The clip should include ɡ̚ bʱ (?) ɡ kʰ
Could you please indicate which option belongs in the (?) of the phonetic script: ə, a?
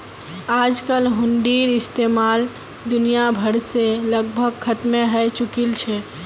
ə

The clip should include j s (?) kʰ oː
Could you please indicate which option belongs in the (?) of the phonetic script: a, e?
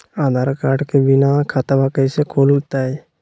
e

